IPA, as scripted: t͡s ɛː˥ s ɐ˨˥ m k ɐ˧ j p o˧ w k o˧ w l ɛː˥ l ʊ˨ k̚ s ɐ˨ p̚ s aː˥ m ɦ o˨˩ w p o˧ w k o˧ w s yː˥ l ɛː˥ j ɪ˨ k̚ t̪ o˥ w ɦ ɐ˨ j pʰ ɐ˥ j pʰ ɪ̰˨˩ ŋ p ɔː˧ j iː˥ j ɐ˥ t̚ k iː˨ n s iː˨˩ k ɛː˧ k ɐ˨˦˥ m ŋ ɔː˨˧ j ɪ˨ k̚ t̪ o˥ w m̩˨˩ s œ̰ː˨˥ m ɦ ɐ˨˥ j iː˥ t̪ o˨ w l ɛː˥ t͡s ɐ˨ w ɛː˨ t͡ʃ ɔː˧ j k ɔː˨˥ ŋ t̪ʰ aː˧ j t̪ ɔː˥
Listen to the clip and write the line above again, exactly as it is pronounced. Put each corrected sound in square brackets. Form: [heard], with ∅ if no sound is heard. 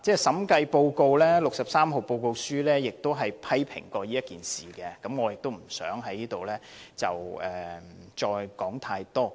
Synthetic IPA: t͡s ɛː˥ s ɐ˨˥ m k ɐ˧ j p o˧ w k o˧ w l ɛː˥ l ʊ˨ k̚ s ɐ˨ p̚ s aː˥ m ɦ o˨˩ w p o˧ w k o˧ w s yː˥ l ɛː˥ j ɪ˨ k̚ t̪ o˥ w ɦ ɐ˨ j pʰ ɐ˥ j pʰ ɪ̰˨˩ ŋ [k] ɔː˧ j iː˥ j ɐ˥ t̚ k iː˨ n s iː˨˩ k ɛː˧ k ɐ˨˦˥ m ŋ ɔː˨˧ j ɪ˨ k̚ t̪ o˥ w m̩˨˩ s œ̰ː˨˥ [ŋ] ɦ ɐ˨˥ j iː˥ t̪ o˨ w l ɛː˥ t͡s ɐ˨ w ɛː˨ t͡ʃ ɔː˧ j k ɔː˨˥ ŋ t̪ʰ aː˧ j t̪ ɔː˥